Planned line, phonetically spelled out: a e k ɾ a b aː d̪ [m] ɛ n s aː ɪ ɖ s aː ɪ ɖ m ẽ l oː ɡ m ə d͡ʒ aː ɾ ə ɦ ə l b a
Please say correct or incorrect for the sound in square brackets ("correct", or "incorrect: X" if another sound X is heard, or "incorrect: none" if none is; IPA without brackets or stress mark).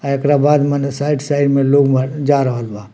correct